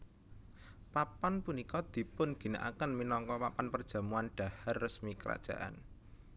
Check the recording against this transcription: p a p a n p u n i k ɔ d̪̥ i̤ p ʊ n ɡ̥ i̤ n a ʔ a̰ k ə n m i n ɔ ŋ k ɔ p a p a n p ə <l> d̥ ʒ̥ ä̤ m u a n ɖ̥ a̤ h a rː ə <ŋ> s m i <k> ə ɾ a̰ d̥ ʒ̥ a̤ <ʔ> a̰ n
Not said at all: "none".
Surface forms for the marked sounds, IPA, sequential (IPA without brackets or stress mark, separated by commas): r, none, k, ʔ